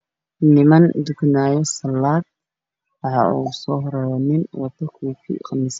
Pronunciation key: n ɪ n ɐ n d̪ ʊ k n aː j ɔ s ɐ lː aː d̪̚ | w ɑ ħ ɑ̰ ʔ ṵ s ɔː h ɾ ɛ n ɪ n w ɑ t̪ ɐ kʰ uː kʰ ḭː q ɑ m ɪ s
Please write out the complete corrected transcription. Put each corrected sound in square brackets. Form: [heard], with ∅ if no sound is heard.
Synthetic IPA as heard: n ɪ [m] ɐ n d̪ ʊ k n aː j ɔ s ɐ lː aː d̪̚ | w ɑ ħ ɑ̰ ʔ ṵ s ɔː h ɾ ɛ n ɪ n w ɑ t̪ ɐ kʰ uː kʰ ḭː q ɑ m ɪ s